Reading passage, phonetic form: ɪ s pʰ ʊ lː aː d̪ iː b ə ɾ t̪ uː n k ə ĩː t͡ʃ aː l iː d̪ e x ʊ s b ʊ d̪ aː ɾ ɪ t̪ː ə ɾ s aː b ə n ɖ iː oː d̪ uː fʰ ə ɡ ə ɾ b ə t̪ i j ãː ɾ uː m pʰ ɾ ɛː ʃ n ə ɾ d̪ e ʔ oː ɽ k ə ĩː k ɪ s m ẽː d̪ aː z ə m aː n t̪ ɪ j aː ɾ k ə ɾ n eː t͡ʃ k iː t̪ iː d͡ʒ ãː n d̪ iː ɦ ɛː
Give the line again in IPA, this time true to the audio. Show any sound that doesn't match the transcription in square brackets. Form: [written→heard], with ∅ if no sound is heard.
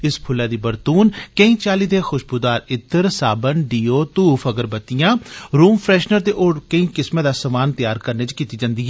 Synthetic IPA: ɪ s pʰ ʊ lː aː d̪ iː b ə ɾ t̪ uː n k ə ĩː t͡ʃ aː l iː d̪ e x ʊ [s→ʃ] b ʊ d̪ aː ɾ ɪ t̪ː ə ɾ s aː b ə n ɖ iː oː [d̪→t̪] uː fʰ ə ɡ ə ɾ b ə t̪ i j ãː ɾ uː m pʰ ɾ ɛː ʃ n ə ɾ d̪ e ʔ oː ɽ k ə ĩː k ɪ s m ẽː d̪ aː [z→s] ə m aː n t̪ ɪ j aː ɾ k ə ɾ n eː t͡ʃ k iː t̪ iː d͡ʒ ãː n d̪ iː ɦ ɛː